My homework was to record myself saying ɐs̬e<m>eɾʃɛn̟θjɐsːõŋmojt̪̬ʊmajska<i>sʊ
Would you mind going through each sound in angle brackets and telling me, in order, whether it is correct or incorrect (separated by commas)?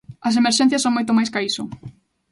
correct, correct